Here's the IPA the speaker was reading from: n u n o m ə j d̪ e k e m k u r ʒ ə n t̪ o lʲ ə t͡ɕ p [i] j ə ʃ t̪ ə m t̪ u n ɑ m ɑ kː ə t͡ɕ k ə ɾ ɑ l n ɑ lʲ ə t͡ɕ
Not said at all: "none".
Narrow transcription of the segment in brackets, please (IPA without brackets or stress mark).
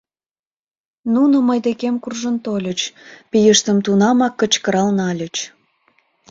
i